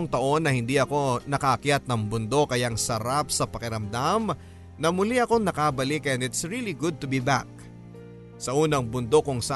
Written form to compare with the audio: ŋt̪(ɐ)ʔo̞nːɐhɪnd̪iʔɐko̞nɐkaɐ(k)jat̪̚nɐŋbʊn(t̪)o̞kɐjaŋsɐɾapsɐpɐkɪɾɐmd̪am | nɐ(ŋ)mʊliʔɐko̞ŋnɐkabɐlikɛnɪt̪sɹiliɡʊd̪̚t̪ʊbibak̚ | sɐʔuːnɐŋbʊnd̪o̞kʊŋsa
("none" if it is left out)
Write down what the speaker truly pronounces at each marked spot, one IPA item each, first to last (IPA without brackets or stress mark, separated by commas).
ɐ, k, d̪, none